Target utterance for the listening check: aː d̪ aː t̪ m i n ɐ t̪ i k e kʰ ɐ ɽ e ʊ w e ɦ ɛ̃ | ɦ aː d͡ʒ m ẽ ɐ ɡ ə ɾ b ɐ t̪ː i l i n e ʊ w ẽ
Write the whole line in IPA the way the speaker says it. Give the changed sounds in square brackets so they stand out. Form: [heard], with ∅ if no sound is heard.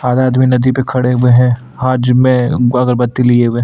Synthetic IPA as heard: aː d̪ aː [d̪] m i n ɐ [d̪] i [p] e kʰ ɐ ɽ e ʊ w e ɦ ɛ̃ | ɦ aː d͡ʒ m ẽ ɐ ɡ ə ɾ b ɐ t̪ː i l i [∅] e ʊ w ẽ